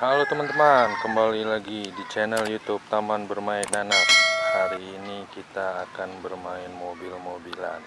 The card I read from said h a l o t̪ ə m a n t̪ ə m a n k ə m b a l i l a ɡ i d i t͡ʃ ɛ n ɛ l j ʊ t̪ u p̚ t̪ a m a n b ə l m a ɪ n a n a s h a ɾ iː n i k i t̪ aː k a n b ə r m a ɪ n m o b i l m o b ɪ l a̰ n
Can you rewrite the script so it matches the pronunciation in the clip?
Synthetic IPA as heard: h a l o t̪ ə m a n t̪ ə m a n k ə m b a l i l a ɡ i d i t͡ʃ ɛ n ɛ l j u t̪ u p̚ t̪ a m a n b ə r m a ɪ n a n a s h a ɾ iː n i k i t̪ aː k a n b ə r m a ɪ n m o b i l m o b i l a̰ n